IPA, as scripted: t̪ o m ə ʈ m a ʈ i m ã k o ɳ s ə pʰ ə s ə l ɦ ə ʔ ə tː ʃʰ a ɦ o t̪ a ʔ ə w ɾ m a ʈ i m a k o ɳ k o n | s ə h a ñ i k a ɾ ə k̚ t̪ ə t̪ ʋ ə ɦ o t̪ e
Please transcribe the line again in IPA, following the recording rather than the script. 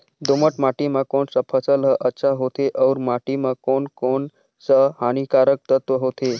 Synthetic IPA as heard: d̪ o m ə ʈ m a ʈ i m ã k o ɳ s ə pʰ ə s ə l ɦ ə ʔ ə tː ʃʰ a ɦ o t̪ e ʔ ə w ɾ m a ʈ i m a k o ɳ k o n | s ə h a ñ i k a ɾ ə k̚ t̪ ə t̪ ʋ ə ɦ o t̪ e